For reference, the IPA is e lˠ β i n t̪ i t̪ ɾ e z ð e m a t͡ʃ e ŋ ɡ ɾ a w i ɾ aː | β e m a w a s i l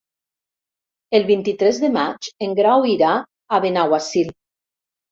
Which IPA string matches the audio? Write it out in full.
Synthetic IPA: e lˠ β i n t̪ i t̪ ɾ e z ð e m a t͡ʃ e ŋ ɡ ɾ a w i ɾ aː | β e n a w a s i l